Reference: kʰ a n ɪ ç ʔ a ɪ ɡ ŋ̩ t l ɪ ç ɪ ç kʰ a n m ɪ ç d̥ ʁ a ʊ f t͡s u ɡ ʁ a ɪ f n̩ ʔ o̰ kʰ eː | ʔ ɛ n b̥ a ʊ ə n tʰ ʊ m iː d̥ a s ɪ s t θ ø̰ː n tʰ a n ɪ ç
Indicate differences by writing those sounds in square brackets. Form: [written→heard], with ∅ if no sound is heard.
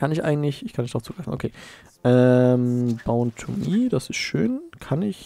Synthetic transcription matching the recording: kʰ a n ɪ ç ʔ a ɪ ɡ ŋ̩ t l ɪ ç ɪ ç kʰ a n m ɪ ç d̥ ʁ a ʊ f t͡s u ɡ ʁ a ɪ f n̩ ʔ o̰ kʰ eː | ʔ ɛ [n→m] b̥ a ʊ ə n tʰ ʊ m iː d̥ a s ɪ s t [θ→ʃ] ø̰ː n [tʰ→kʰ] a n ɪ ç